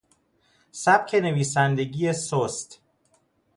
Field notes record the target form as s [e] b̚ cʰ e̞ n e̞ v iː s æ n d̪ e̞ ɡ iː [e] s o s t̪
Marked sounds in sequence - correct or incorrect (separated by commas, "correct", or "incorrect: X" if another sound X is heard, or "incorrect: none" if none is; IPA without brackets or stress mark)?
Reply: incorrect: æ, correct